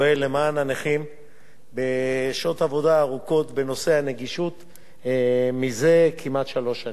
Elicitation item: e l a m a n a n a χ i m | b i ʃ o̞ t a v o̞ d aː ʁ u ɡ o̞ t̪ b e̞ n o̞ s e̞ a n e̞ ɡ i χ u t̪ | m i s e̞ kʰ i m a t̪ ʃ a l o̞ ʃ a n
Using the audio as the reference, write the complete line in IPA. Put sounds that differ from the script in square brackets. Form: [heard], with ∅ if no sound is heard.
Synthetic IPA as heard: e l [e] m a n a n [e] χ i m | b [e] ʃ o̞ t a v o̞ d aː ʁ u [k] o̞ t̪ b e̞ n o̞ s e̞ a n e̞ ɡ i [ʃ] u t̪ | m i [z] e̞ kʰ i m a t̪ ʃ a l o̞ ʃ a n